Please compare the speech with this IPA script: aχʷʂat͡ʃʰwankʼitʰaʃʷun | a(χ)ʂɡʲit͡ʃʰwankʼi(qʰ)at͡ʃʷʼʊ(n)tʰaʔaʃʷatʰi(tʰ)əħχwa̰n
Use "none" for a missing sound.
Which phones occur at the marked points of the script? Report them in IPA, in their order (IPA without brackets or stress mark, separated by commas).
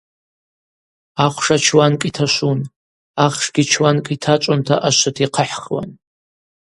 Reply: χ, tʰ, n, qʰ